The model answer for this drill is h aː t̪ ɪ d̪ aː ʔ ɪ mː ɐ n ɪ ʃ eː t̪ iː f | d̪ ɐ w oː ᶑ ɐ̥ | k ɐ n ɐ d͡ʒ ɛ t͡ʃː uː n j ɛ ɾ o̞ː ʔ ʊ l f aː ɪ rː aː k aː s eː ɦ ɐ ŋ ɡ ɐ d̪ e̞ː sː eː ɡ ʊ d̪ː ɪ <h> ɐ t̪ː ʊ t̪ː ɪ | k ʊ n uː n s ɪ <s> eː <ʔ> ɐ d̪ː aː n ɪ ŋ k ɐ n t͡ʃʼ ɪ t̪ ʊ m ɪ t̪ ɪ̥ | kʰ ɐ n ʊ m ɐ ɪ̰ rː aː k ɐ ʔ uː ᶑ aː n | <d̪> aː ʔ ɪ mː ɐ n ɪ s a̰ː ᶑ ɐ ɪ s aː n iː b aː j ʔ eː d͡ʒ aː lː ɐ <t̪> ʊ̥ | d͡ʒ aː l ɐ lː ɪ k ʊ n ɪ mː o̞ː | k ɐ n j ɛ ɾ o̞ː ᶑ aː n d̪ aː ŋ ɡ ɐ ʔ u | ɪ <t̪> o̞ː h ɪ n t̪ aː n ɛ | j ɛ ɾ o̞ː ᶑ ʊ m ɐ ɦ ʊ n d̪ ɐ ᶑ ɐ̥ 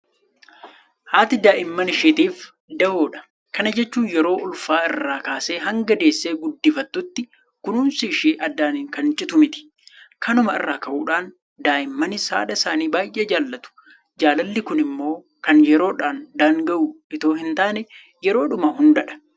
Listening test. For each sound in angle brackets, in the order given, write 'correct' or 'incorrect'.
incorrect: f, incorrect: ʃ, correct, correct, correct, correct

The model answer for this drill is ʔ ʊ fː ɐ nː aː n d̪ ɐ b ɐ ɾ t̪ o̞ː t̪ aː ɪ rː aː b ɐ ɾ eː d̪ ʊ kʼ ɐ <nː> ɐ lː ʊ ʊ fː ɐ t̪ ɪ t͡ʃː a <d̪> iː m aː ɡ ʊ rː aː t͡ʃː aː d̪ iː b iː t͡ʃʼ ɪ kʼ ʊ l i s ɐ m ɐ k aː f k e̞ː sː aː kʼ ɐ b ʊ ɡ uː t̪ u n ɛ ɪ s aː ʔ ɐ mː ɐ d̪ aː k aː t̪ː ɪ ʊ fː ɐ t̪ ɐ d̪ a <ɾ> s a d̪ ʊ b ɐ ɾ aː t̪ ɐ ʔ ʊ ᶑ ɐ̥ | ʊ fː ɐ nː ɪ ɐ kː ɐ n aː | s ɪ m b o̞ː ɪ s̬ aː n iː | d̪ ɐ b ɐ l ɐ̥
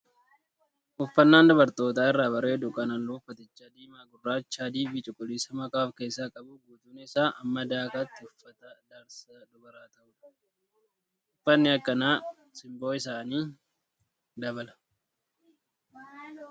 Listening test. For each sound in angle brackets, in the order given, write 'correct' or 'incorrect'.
incorrect: n, correct, correct

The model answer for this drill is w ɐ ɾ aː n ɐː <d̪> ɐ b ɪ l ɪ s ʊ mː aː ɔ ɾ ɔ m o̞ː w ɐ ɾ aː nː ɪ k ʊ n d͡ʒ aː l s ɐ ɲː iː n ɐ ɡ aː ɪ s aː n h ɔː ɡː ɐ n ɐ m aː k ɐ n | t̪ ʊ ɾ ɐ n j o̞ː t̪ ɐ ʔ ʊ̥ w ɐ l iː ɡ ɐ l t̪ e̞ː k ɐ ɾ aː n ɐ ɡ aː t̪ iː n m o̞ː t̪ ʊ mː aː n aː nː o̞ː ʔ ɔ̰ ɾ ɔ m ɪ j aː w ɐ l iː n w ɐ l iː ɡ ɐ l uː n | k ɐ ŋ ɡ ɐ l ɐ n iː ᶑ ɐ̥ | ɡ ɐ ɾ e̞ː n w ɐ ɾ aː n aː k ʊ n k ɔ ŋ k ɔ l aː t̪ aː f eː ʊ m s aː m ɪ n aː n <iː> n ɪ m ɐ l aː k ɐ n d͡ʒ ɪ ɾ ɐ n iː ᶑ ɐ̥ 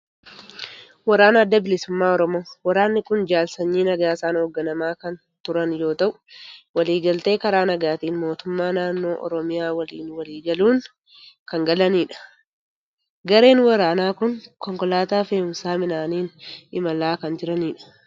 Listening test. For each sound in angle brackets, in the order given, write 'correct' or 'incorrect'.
incorrect: d̪ː, correct

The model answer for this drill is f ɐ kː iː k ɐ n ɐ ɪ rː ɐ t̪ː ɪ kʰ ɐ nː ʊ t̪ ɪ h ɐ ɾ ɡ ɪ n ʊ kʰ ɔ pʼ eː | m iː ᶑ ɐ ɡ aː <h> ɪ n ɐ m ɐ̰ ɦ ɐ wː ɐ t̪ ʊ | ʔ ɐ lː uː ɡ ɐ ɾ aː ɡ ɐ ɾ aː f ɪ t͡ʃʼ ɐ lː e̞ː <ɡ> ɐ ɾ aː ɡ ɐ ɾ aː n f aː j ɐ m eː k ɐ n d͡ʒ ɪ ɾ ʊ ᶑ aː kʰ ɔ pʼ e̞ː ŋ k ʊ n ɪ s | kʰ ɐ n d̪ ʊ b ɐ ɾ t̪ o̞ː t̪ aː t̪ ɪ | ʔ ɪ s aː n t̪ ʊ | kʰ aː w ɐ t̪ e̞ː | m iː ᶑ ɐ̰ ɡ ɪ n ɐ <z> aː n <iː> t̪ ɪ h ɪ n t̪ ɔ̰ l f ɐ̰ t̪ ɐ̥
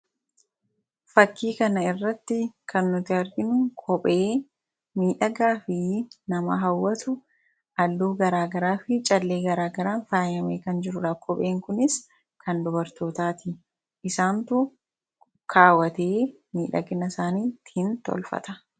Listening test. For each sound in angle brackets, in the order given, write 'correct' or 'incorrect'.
incorrect: f, correct, incorrect: s, correct

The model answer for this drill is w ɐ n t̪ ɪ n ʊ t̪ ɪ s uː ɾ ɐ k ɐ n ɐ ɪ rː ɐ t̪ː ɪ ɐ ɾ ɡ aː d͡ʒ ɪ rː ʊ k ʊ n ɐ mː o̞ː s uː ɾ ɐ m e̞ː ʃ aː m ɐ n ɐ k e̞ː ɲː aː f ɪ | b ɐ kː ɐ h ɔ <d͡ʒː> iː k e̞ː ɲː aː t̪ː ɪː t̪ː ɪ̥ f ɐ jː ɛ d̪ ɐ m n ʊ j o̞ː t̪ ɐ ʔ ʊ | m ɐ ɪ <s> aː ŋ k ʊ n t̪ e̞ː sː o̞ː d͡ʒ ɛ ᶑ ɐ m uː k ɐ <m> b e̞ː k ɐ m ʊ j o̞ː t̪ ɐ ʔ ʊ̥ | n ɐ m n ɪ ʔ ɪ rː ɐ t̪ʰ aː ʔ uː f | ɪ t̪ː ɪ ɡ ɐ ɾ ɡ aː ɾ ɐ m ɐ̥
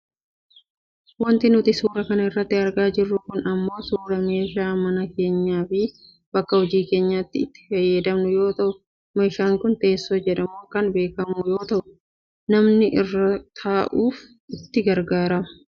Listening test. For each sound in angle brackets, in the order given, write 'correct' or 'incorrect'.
incorrect: d͡ʒ, incorrect: ʃ, incorrect: n

